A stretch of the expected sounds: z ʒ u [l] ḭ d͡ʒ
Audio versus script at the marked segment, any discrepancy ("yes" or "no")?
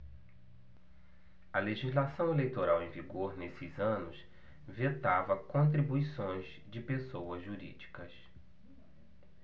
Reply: yes